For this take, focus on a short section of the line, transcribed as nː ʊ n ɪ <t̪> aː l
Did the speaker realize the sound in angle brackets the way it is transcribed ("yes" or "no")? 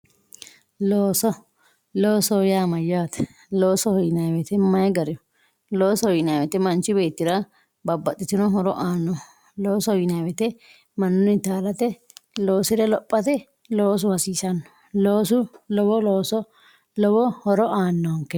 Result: yes